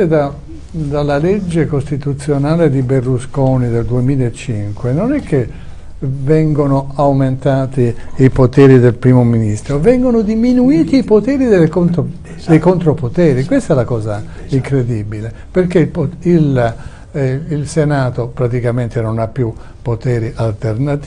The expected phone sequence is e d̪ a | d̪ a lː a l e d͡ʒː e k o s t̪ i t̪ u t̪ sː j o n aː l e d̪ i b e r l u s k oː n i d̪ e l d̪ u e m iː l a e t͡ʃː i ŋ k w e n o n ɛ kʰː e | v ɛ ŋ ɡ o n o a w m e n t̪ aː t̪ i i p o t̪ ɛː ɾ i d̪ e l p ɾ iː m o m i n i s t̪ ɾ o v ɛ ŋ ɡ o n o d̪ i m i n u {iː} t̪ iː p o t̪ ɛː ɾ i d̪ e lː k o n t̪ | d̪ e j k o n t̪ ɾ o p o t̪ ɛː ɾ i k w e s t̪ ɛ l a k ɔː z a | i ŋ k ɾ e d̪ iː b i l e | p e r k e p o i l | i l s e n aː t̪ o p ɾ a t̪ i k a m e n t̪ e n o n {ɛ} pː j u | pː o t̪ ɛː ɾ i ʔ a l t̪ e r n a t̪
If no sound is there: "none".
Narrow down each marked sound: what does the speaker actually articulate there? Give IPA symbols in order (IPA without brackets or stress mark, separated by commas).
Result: iː, a